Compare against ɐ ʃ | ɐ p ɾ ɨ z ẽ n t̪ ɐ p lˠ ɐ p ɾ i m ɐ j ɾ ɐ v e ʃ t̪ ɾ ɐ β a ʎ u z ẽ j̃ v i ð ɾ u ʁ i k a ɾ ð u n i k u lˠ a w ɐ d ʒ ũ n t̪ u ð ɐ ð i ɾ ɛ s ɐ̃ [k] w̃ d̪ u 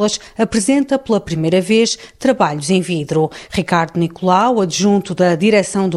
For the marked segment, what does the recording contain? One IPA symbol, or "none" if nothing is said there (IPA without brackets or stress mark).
none